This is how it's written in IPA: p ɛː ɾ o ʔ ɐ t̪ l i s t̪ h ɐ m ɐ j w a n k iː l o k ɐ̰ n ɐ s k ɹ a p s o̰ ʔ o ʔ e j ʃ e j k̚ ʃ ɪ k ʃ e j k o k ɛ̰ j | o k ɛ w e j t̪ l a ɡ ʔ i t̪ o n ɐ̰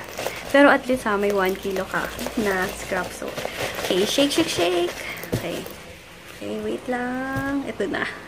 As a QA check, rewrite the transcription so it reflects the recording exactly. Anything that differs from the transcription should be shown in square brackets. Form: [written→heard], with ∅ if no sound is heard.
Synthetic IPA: p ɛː ɾ o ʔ ɐ t̪ l i s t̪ h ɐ m ɐ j w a n k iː l o k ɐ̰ n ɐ s k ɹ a p s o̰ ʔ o [ʔ→k] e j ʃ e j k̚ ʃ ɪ k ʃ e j k o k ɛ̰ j | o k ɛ w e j t̪ l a [ɡ→ŋ] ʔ [i→ɛ] t̪ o n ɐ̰